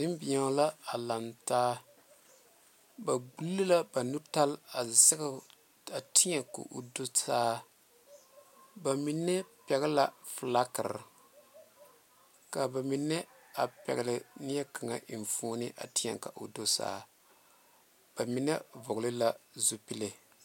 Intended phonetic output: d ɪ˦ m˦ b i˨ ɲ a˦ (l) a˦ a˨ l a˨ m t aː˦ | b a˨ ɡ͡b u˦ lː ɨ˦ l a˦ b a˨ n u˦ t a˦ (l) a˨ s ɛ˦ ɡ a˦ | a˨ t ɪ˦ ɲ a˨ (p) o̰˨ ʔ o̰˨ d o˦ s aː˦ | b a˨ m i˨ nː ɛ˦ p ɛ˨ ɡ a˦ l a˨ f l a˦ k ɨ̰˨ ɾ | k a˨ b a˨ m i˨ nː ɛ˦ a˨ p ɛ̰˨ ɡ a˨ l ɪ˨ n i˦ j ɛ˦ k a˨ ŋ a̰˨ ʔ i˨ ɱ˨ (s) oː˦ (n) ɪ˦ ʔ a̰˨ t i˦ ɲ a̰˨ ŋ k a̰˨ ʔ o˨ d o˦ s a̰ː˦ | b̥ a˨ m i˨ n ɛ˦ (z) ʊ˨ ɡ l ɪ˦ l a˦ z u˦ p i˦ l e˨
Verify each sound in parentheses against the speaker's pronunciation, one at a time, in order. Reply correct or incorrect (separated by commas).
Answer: correct, correct, incorrect, incorrect, correct, incorrect